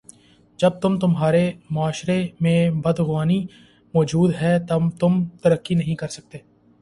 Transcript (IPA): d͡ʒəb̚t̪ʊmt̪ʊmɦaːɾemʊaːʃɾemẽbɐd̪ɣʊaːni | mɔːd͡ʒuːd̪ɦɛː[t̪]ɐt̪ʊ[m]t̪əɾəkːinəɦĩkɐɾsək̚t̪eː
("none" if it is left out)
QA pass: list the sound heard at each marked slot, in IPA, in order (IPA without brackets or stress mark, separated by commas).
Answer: t̪, m